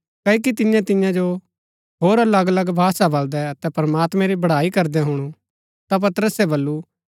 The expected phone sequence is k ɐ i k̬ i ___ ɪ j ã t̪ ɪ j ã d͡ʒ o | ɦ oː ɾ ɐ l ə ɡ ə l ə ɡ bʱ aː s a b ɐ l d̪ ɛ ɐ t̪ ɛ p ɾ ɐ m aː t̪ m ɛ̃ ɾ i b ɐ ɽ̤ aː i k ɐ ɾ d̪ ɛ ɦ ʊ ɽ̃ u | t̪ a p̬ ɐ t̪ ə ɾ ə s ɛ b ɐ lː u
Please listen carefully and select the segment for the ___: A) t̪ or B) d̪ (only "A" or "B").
A